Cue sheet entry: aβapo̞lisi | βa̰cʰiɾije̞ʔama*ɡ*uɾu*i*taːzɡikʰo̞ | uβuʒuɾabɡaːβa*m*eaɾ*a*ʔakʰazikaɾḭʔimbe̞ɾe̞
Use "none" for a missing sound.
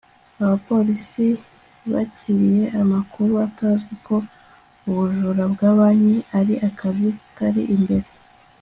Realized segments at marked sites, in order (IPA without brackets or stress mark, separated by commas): k, a, ɲ, i